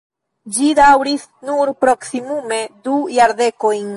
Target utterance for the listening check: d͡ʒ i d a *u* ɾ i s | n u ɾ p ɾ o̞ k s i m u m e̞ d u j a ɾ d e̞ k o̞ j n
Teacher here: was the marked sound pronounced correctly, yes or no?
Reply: no